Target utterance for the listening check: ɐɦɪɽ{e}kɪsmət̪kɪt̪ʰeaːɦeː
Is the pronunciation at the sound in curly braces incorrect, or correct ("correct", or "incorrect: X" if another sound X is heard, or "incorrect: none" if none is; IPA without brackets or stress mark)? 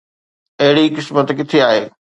incorrect: i